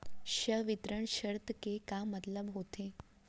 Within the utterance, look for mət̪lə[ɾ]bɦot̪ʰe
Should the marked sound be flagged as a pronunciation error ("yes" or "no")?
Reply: yes